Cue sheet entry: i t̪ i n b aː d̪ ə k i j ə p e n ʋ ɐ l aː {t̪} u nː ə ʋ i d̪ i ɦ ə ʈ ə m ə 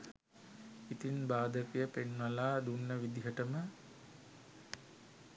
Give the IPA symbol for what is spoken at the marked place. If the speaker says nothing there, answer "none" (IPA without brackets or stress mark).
d̪